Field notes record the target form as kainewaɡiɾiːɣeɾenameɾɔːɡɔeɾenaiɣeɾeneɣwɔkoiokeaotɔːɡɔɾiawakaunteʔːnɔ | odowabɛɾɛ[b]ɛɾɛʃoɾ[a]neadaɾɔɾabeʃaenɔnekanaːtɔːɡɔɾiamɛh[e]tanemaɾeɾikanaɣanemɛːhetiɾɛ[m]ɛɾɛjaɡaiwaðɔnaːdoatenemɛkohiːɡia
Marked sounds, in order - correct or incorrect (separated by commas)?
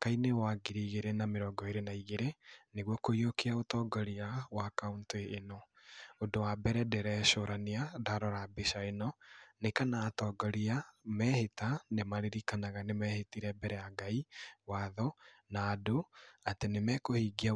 incorrect, correct, correct, incorrect